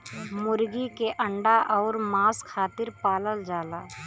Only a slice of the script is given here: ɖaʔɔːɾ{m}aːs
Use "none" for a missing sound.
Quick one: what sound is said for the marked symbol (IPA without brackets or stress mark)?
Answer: m